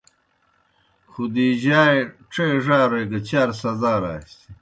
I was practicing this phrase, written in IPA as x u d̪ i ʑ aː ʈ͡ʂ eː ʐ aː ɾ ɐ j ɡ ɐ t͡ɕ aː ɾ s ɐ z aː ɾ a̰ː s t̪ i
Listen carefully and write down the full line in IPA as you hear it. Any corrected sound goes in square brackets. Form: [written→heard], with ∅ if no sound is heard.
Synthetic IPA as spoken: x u d̪ i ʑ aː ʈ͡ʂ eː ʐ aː ɾ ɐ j ɡ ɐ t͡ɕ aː ɾ s ɐ z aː ɾ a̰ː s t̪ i